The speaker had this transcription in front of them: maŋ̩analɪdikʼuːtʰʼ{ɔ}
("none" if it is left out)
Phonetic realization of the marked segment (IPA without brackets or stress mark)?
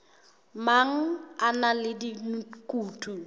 u